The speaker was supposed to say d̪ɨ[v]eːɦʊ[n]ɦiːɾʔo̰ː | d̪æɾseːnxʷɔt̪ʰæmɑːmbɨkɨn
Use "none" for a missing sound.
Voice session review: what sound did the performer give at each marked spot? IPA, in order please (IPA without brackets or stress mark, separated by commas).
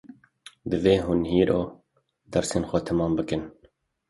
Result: v, n